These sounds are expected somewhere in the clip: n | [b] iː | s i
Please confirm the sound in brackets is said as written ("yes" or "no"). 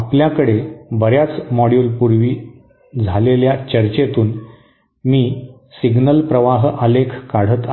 no